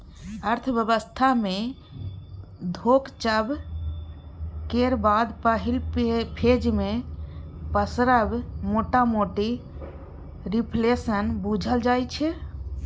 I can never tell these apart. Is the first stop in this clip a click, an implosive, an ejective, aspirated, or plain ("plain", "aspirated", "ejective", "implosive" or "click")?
aspirated